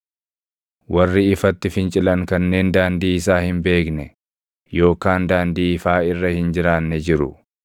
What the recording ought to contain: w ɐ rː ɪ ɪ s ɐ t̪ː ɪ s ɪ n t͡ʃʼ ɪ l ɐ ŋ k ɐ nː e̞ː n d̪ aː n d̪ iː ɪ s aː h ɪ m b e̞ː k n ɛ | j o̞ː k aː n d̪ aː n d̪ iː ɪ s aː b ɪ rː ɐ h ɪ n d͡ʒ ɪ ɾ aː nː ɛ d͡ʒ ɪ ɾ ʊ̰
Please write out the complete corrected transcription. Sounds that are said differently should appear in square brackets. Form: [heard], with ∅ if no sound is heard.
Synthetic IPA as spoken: w ɐ rː ɪ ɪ [f] ɐ t̪ː ɪ [f] ɪ n t͡ʃʼ ɪ l ɐ ŋ k ɐ nː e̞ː n d̪ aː n d̪ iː ɪ s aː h ɪ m b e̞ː k n ɛ | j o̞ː k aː n d̪ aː n d̪ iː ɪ [f] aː [∅] ɪ rː ɐ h ɪ n d͡ʒ ɪ ɾ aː nː ɛ d͡ʒ ɪ ɾ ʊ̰